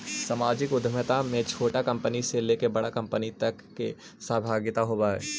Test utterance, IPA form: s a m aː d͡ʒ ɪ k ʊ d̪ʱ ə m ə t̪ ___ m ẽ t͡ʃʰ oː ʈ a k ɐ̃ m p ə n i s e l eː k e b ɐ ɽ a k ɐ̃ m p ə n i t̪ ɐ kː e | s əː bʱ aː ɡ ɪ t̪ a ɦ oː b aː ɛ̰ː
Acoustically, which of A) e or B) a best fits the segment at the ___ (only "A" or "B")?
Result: B